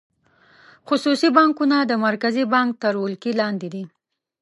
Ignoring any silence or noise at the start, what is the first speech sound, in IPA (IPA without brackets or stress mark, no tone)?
x